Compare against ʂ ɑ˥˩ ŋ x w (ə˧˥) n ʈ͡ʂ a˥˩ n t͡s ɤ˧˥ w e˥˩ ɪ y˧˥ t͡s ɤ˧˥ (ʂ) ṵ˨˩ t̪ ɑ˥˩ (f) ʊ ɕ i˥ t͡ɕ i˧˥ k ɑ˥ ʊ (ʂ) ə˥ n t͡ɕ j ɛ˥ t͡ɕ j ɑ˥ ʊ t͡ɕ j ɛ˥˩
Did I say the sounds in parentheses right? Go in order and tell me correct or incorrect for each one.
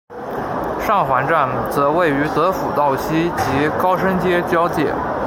incorrect, incorrect, incorrect, correct

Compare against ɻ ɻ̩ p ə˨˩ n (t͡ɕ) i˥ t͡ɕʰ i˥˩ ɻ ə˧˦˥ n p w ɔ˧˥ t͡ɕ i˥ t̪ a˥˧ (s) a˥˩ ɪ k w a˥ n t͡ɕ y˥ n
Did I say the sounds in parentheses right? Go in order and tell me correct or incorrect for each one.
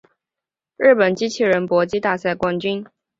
correct, correct

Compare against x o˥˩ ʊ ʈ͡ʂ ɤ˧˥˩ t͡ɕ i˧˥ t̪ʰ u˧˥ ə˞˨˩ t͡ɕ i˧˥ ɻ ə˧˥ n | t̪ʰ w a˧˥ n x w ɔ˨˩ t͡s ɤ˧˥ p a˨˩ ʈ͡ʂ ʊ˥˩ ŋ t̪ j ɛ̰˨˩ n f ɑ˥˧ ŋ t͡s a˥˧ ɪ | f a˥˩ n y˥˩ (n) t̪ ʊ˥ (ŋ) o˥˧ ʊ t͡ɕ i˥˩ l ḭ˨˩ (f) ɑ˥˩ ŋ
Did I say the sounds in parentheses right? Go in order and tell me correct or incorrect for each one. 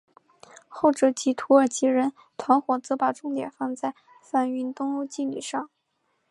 correct, correct, incorrect

